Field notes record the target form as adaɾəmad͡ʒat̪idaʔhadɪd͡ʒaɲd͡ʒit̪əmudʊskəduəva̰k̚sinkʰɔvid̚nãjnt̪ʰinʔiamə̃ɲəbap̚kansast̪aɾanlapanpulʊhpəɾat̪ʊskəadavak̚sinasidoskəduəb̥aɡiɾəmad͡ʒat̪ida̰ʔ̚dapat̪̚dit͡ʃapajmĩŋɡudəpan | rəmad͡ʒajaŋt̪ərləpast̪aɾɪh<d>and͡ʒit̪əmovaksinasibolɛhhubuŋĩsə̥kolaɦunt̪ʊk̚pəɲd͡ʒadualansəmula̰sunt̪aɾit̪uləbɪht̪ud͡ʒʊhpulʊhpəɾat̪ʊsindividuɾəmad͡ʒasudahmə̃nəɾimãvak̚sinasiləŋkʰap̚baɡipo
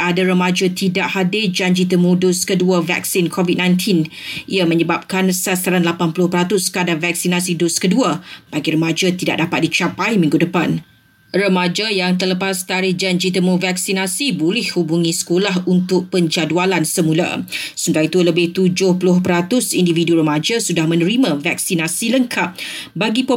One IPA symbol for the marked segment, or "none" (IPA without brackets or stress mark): d͡ʒ